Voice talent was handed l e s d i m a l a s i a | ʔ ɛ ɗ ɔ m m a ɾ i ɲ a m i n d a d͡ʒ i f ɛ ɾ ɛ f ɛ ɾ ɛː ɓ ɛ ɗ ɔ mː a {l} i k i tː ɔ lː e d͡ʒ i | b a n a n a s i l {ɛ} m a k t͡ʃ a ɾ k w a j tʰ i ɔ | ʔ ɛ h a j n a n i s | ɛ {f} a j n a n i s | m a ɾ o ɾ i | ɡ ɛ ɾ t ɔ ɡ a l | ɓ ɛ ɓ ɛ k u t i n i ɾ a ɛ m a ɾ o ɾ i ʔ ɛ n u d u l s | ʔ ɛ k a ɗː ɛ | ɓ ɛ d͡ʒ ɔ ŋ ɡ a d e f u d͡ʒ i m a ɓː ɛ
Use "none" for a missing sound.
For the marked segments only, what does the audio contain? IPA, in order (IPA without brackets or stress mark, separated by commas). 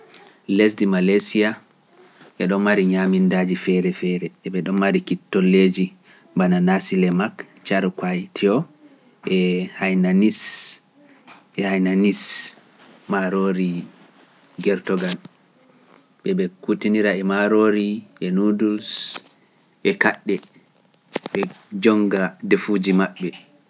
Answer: ɾ, ɛ, h